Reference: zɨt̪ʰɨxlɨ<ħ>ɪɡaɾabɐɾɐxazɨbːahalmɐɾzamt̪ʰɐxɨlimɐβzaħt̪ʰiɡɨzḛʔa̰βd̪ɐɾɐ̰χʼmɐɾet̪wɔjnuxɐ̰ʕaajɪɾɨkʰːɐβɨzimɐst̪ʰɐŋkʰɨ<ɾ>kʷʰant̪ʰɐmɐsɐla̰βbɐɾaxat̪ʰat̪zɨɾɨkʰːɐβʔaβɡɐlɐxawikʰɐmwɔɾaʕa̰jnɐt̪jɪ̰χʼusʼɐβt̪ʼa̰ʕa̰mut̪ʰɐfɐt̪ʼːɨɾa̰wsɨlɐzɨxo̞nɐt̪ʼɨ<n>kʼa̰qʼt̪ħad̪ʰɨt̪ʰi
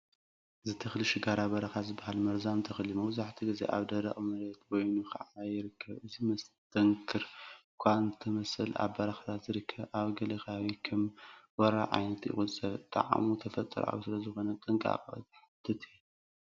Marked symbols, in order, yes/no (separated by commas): no, yes, no